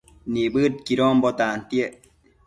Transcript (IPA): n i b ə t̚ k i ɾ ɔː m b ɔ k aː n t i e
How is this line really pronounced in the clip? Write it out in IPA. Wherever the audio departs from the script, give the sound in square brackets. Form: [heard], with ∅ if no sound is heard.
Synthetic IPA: n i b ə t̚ k i ɾ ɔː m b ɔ [t] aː n t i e